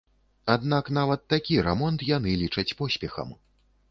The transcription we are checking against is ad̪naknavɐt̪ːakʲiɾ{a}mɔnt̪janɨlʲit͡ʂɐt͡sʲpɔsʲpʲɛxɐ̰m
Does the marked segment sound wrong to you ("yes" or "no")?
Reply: yes